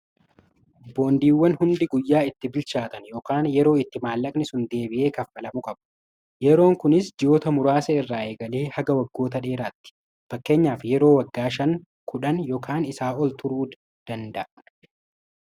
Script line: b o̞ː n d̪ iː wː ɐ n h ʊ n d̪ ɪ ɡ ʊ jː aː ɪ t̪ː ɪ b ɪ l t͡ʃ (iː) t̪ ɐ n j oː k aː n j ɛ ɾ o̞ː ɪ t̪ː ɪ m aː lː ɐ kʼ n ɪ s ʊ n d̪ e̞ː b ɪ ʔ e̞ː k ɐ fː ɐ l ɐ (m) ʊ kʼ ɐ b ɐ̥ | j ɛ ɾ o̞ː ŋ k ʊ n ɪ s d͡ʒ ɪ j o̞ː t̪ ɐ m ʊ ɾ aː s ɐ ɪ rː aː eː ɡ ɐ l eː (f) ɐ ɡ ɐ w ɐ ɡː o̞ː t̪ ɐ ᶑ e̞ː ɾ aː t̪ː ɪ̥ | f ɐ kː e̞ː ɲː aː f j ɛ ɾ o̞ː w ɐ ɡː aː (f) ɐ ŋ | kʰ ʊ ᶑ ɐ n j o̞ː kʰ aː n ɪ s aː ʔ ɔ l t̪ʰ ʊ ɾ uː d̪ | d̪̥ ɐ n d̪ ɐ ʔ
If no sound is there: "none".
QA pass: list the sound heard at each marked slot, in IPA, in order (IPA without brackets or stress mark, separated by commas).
aː, m, h, ʃ